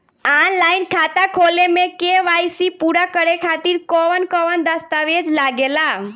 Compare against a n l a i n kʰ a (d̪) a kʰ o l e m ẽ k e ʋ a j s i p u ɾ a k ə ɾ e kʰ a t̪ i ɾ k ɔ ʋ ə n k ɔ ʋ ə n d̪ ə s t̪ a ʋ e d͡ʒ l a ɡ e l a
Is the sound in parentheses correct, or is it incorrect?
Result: incorrect